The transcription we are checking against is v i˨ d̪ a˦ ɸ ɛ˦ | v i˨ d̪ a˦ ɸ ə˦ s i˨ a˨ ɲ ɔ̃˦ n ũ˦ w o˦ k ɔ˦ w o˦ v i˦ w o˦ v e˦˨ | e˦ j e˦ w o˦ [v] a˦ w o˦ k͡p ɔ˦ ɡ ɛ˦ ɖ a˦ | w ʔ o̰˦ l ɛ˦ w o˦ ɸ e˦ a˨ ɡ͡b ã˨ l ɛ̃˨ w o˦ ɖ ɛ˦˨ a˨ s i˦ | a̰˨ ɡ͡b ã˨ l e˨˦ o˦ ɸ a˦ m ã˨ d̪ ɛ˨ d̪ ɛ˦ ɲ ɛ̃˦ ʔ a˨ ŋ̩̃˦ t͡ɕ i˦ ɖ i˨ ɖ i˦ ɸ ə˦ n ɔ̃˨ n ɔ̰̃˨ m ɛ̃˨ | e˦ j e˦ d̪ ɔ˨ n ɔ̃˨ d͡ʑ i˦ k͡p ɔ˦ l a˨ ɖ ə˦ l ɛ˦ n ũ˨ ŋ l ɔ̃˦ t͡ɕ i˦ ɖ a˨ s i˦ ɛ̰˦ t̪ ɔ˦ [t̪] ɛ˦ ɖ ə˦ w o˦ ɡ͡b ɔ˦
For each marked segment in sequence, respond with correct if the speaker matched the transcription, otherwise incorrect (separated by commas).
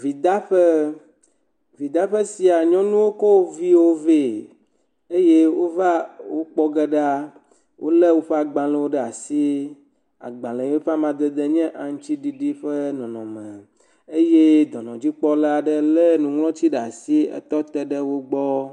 correct, correct